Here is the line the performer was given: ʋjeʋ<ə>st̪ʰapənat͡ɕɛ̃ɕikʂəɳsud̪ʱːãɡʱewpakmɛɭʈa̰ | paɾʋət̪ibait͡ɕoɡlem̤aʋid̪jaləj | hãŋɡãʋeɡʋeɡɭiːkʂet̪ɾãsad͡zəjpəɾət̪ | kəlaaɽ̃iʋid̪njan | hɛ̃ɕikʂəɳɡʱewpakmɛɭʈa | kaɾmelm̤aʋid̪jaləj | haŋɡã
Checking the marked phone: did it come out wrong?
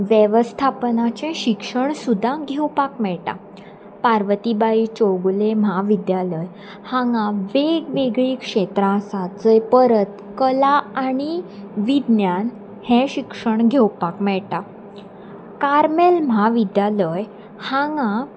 no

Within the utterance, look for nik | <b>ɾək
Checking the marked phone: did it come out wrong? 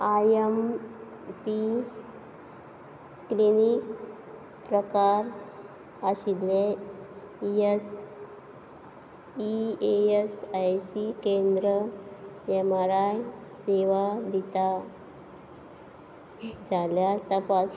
yes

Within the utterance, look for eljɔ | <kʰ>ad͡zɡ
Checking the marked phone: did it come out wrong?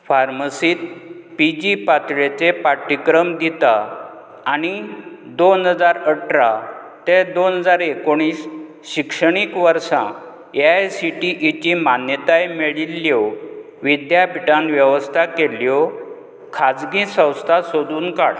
no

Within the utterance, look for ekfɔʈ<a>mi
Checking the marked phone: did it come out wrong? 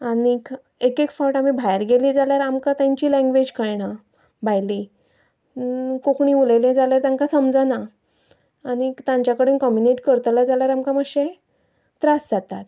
no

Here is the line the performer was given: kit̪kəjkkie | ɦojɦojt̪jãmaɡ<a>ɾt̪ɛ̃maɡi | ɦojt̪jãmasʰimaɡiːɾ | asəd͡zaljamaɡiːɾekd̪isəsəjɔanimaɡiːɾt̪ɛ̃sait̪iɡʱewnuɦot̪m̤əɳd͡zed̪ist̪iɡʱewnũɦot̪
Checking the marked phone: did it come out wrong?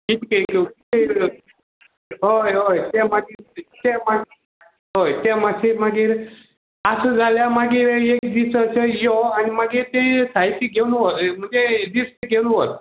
yes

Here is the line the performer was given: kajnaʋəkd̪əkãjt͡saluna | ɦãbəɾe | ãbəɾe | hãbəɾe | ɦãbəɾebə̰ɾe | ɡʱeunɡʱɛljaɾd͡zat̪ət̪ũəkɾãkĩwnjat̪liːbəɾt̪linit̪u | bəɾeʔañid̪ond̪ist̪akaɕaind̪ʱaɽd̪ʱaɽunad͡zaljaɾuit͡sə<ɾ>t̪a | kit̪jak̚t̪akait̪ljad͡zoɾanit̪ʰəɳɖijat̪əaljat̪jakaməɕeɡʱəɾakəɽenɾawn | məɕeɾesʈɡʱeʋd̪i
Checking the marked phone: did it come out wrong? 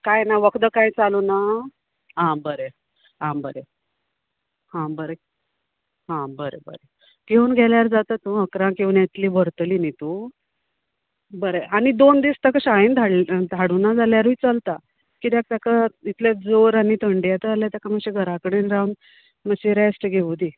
yes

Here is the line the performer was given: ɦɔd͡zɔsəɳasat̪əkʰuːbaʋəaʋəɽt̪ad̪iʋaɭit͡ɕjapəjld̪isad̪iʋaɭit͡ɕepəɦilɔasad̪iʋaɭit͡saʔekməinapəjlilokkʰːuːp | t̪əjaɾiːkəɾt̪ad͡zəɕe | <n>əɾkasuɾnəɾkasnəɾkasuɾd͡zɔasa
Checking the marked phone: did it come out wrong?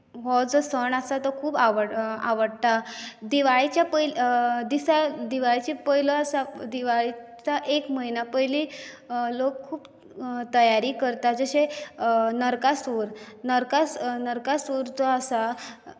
no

